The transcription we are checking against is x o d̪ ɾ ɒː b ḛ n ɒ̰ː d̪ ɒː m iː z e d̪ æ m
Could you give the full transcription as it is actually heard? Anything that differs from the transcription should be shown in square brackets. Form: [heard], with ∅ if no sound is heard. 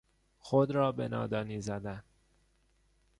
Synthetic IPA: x o d̪ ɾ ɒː b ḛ n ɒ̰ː d̪ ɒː [n] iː z [æ] d̪ æ [n]